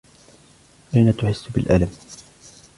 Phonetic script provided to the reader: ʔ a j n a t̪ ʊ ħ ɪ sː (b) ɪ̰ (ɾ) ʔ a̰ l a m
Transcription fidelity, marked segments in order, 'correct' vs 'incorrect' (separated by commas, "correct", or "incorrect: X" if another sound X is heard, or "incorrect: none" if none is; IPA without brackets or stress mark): correct, incorrect: l